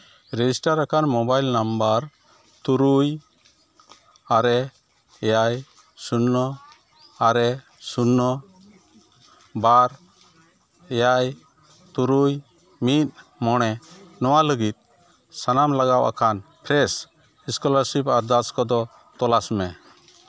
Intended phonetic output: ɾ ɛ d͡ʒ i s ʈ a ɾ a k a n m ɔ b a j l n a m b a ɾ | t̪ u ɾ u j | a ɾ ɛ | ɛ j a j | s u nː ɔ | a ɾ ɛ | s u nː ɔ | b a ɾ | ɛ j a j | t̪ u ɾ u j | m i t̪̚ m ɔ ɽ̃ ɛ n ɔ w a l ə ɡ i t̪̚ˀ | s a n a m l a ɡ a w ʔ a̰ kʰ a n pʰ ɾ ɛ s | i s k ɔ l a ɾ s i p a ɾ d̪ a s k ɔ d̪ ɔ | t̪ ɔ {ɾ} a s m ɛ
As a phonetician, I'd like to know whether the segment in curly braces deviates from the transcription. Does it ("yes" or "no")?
yes